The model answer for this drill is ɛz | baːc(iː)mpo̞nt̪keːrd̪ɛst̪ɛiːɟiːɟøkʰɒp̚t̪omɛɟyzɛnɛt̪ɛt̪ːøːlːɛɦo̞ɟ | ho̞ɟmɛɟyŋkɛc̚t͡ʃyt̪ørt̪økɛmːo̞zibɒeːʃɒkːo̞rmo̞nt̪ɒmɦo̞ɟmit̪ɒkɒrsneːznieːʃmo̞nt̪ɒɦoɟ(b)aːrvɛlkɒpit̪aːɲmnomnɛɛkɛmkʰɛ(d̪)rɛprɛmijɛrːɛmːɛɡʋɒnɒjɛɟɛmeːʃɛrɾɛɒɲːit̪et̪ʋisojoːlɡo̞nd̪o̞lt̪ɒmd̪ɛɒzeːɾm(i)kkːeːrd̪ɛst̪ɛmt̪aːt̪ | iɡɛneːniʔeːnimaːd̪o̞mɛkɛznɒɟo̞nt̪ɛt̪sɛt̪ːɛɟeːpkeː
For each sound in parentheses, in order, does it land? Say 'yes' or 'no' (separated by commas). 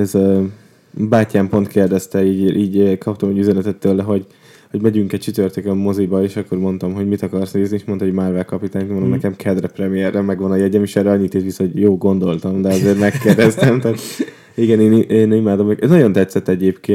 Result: no, no, yes, no